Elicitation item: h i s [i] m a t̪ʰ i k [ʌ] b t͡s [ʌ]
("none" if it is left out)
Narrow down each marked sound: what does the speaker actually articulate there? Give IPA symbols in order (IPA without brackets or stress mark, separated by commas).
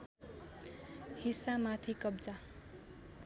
a, ʌ, a